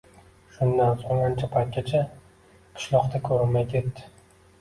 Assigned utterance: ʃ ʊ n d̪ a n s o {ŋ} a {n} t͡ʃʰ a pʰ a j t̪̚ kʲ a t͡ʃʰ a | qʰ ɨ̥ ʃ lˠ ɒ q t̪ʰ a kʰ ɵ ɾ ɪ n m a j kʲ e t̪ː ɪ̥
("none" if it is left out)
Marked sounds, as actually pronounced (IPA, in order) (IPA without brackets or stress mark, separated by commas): ŋ, n